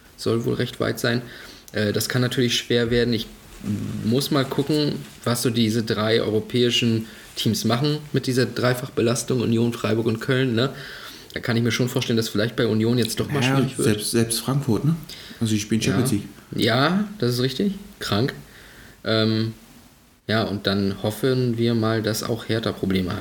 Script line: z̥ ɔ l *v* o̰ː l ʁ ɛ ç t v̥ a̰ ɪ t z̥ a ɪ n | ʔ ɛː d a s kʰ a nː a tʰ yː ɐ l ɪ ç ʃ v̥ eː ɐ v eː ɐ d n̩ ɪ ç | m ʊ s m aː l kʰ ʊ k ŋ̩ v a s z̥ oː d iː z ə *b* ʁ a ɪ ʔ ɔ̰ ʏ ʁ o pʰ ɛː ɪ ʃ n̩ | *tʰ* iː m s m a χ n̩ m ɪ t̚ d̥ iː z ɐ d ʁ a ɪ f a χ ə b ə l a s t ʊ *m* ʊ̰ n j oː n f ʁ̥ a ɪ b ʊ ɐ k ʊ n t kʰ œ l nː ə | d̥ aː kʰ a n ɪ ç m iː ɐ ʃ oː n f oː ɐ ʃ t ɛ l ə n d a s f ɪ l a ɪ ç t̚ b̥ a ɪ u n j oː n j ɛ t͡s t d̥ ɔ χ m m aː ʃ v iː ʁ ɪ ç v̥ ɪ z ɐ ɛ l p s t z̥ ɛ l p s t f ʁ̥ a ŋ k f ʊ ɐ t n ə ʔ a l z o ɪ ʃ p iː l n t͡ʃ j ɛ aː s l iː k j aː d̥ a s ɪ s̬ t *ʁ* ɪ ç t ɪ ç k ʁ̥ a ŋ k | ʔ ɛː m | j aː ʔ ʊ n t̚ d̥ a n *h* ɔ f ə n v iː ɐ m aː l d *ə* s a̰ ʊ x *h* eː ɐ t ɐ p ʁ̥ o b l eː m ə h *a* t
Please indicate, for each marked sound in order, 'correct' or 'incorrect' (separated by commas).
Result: correct, incorrect, correct, incorrect, correct, correct, incorrect, correct, correct